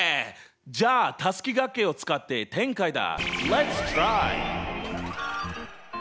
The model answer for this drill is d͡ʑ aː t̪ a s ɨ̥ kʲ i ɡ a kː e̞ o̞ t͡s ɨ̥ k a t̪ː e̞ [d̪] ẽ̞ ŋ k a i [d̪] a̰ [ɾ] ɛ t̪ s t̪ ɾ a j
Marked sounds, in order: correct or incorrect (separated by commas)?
incorrect, correct, incorrect